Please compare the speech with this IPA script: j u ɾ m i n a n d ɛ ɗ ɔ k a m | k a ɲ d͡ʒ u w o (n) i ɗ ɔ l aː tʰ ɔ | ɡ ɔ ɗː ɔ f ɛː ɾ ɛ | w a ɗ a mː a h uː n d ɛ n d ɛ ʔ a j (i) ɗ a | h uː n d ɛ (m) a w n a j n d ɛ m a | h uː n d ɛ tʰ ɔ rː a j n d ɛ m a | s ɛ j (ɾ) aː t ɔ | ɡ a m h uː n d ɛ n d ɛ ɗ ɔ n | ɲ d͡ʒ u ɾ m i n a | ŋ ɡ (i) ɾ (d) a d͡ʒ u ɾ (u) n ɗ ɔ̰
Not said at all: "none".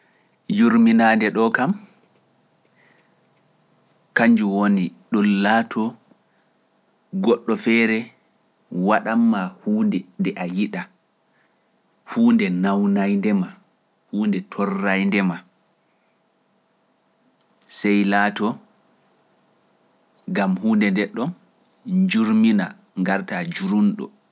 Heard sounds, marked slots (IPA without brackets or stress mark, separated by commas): n, i, n, l, a, t, u